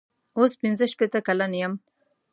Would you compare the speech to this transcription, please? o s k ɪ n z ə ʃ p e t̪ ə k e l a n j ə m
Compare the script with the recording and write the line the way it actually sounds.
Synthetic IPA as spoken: o s p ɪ n z ə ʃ p e t̪ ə k a l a n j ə m